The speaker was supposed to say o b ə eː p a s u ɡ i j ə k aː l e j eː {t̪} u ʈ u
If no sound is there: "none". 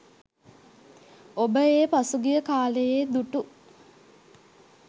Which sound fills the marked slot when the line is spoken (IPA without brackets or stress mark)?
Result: d̪